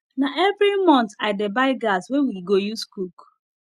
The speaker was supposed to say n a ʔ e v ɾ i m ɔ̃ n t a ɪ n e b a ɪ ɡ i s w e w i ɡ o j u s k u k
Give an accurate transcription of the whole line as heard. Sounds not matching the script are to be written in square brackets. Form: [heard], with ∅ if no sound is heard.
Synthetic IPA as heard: n a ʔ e v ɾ i m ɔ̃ n t a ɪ [d] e b a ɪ ɡ [a] s w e w i ɡ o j u s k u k